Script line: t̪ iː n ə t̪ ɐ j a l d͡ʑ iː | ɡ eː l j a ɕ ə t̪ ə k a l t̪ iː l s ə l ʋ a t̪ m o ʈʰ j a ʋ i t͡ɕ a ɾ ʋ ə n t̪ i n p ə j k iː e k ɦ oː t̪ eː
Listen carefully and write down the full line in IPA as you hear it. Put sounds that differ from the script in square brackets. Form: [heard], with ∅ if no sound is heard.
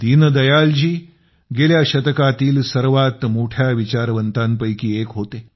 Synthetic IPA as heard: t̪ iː n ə [d̪] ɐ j a l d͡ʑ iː | ɡ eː l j a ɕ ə t̪ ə k a [∅] t̪ iː l s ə [ɾ] ʋ a t̪ m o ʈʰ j a ʋ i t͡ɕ a ɾ ʋ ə n t̪ [a] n p ə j k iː e k ɦ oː t̪ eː